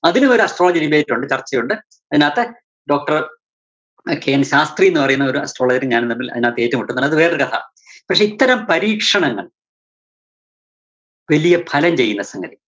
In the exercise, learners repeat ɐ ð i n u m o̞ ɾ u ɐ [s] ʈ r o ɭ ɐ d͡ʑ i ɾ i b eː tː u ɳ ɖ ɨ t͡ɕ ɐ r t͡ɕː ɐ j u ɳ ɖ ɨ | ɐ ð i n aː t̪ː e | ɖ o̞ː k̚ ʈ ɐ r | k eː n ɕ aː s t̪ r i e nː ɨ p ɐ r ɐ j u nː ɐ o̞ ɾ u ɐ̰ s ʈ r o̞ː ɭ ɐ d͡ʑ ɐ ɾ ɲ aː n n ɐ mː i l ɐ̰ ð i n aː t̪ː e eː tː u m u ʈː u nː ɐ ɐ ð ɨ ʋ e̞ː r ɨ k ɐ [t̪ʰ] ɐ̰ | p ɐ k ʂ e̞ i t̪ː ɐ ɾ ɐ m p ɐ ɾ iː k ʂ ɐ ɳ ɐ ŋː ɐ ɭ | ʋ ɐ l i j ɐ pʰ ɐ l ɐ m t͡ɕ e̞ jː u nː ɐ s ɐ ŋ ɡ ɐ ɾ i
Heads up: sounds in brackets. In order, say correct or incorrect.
correct, correct

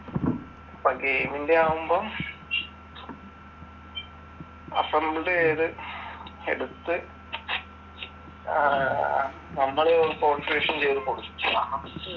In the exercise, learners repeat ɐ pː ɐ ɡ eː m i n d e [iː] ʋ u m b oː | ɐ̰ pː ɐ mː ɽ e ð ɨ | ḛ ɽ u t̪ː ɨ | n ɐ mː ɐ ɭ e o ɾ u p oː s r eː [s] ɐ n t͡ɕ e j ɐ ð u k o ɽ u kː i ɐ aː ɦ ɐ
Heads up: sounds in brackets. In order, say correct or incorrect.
incorrect: aː, incorrect: ʂ

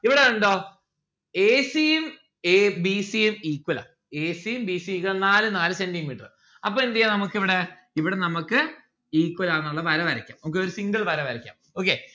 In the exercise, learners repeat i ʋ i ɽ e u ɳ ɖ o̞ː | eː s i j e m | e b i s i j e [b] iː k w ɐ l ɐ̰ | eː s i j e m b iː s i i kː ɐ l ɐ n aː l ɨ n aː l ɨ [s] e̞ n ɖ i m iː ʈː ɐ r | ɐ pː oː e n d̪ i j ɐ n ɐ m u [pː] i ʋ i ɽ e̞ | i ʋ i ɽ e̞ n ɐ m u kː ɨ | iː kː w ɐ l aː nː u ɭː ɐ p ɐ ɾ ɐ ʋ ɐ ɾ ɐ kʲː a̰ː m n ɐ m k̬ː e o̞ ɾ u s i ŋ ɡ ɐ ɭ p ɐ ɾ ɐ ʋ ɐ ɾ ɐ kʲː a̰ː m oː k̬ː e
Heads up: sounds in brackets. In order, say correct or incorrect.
incorrect: m, correct, incorrect: kː

